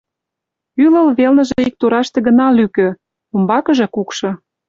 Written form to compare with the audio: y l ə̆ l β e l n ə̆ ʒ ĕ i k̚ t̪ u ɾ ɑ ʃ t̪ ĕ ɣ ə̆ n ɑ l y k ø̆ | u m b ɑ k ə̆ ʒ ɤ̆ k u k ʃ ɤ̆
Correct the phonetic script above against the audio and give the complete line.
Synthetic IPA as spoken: y l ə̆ l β e l n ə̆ ʒ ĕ i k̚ t̪ u ɾ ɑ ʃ t̪ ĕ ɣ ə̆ n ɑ l y k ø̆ | u m b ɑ k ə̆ ʒ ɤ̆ k u k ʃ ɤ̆